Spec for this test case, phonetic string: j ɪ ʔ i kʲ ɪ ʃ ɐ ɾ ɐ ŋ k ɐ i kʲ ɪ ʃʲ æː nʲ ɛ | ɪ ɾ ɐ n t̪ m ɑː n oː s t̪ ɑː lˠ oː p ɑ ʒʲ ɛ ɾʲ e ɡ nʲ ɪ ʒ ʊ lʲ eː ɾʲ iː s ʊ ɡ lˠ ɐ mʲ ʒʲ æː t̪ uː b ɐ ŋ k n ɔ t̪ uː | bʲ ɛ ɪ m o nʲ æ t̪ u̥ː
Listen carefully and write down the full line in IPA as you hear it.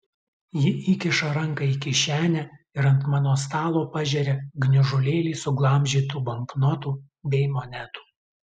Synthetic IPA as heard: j ɪ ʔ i kʲ ɪ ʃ ɐ ɾ ɐ ŋ k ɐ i kʲ ɪ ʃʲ æː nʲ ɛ | ɪ ɾ ɐ n t̪ m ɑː n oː s t̪ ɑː lˠ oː p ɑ ʒʲ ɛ ɾʲ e ɡ nʲ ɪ ʒ ʊ lʲ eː lʲ iː s ʊ ɡ lˠ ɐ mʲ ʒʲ iː t̪ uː b ɐ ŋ k n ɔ t̪ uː | bʲ ɛ ɪ m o nʲ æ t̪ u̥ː